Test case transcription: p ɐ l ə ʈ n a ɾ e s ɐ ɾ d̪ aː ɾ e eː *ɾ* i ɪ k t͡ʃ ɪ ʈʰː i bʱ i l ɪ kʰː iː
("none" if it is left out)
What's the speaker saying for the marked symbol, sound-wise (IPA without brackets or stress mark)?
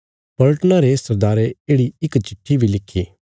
ɽ